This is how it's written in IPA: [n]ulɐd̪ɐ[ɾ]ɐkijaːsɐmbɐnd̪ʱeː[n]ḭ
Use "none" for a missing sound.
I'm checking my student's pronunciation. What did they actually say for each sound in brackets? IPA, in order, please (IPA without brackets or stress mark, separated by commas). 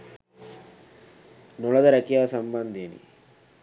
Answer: n, ɾ, n